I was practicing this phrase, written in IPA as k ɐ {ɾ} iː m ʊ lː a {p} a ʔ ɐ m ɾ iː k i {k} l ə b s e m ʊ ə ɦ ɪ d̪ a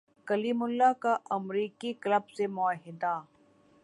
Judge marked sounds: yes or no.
no, no, yes

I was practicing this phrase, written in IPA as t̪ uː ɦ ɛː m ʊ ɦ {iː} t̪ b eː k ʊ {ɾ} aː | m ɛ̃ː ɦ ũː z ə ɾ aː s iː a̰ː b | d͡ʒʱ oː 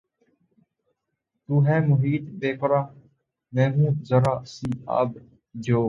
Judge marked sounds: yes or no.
yes, yes

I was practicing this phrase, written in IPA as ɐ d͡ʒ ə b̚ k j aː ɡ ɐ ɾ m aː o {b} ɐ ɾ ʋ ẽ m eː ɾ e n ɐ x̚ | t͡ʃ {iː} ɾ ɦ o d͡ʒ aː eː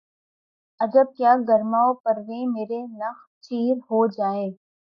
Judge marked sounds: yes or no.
no, yes

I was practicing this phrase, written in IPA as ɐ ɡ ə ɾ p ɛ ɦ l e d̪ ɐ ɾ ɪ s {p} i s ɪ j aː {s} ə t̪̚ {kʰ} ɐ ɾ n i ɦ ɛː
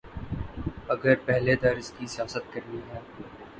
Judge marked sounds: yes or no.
no, yes, no

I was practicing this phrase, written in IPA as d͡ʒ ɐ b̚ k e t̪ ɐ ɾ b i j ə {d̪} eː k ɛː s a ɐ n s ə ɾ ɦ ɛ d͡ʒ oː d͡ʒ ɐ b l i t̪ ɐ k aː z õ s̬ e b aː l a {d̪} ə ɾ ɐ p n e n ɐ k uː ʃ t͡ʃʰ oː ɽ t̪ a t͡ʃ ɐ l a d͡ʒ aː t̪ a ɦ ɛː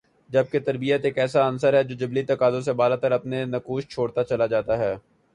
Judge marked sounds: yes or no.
no, no

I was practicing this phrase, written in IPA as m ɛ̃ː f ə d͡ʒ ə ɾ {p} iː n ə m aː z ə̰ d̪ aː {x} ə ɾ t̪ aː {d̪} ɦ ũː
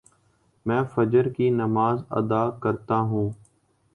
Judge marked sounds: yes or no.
no, no, no

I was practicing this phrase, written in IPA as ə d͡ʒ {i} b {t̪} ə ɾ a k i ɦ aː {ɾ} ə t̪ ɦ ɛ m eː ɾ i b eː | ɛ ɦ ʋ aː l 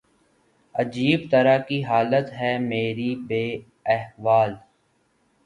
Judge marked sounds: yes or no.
no, yes, no

